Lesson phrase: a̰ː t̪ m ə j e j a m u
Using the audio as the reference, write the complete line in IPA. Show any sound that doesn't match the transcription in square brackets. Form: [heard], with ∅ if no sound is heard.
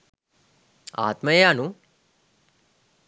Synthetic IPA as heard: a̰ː t̪ m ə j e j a [n] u